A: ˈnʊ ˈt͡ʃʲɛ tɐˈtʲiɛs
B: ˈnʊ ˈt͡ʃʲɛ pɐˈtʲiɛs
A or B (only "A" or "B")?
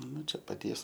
B